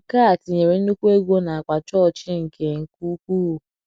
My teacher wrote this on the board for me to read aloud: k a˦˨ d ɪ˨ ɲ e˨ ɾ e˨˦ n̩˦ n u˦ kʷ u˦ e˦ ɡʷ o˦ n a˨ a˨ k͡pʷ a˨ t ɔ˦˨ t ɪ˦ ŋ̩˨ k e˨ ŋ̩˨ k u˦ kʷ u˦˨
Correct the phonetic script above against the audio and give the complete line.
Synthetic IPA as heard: k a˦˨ t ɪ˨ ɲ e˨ ɾ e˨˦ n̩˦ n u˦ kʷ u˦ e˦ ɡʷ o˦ n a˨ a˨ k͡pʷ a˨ t͡ʃ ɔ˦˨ t͡ʃ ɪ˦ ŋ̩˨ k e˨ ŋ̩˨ k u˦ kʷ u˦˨